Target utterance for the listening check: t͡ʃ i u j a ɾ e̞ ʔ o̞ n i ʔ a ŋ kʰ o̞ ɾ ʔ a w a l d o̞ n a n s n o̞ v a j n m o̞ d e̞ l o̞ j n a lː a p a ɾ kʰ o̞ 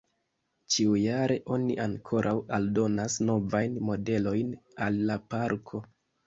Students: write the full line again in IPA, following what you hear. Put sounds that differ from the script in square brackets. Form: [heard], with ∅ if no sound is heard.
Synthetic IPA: t͡ʃ i u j a ɾ e̞ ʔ o̞ n i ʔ a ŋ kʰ o̞ ɾ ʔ a w a l d o̞ n a [∅] s n o̞ v a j n m o̞ d e̞ l o̞ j n a lː a p a ɾ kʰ o̞

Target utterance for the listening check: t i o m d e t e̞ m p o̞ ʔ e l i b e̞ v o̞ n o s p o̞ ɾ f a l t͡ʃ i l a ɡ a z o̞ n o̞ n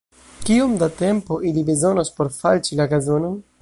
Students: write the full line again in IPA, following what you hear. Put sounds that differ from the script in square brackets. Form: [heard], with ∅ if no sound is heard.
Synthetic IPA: [k] i o m d [a] t e̞ m p o̞ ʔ [i] l i b e̞ [z] o̞ n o s p o̞ ɾ f a l t͡ʃ i l a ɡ a z o̞ n o̞ n

